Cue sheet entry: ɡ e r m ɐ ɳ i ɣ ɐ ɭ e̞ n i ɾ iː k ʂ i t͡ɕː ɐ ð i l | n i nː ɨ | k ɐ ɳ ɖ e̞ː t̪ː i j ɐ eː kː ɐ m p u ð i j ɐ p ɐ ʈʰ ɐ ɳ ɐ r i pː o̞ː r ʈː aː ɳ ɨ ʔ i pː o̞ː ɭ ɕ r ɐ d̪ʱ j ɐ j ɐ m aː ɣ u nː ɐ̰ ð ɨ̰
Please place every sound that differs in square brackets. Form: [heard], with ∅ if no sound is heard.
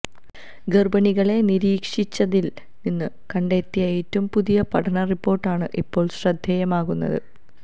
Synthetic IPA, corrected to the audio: ɡ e r [b] ɐ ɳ i ɣ ɐ ɭ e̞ n i ɾ iː k ʂ i t͡ɕː ɐ ð i l | n i nː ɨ | k ɐ ɳ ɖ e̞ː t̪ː i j ɐ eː [tː] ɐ m p u ð i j ɐ p ɐ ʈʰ ɐ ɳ ɐ r i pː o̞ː r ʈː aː ɳ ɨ ʔ i pː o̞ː ɭ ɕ r ɐ d̪ʱ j ɐ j ɐ m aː ɣ u nː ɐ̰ ð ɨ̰

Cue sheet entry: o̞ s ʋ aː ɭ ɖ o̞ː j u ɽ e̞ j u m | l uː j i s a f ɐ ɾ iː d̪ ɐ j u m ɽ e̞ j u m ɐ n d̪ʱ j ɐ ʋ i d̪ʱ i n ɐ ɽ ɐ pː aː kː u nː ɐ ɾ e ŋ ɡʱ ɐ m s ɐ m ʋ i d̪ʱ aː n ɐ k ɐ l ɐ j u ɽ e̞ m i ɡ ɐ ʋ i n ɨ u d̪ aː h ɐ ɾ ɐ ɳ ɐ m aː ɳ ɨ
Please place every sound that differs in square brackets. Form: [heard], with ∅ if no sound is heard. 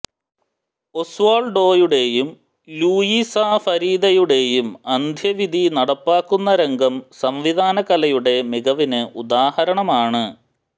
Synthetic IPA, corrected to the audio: o̞ s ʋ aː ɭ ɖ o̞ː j u ɽ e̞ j u m | l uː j i s a f ɐ ɾ iː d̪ ɐ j u [∅] ɽ e̞ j u m ɐ n d̪ʱ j ɐ ʋ i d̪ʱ i n ɐ ɽ ɐ pː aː kː u nː ɐ ɾ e ŋ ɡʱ ɐ m s ɐ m ʋ i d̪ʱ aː n ɐ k ɐ l ɐ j u ɽ e̞ m i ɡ ɐ ʋ i n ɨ u d̪ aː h ɐ ɾ ɐ ɳ ɐ m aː ɳ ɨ

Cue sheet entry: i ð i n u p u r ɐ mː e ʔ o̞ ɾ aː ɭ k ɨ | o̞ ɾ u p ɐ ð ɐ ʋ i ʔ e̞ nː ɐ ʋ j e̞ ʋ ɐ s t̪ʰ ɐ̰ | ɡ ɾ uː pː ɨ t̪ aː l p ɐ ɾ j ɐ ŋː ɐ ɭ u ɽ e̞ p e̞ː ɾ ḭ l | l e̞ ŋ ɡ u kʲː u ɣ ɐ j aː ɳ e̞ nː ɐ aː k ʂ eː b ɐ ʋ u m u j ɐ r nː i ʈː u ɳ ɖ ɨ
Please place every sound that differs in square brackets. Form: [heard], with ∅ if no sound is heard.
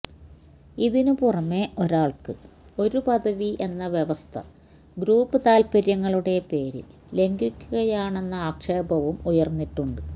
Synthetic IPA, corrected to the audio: i ð i n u p u r ɐ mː e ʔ o̞ ɾ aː ɭ k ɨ | o̞ ɾ u p ɐ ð ɐ ʋ i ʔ e̞ nː ɐ ʋ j e̞ ʋ ɐ s t̪ʰ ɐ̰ | ɡ ɾ uː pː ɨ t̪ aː l p ɐ ɾ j ɐ ŋː ɐ ɭ u ɽ e̞ p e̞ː ɾ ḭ l | l e̞ ŋ ɡ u kʲː u ɣ ɐ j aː ɳ e̞ nː ɐ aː k ʂ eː b ɐ ʋ u m u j ɐ r nː i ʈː u ɳ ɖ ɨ

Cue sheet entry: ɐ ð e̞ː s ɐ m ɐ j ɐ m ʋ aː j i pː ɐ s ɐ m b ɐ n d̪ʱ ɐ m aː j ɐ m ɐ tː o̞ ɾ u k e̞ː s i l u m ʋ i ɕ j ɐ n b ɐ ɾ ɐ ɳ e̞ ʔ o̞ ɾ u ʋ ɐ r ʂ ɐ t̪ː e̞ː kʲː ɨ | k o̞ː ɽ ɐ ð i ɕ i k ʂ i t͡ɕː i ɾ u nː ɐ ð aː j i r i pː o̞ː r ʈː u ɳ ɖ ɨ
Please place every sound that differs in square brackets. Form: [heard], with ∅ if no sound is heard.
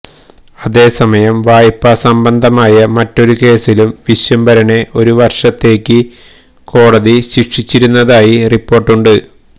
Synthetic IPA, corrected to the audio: ɐ ð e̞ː s ɐ m ɐ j ɐ m ʋ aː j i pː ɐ s ɐ m b ɐ n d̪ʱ ɐ m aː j ɐ m ɐ tː o̞ ɾ u k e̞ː s i l u m ʋ i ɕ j ɐ [m] b ɐ ɾ ɐ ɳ e̞ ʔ o̞ ɾ u ʋ ɐ r ʂ ɐ t̪ː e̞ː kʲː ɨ | k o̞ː ɽ ɐ ð i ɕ i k ʂ i t͡ɕː i ɾ u nː ɐ ð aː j i r i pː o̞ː r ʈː u ɳ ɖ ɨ

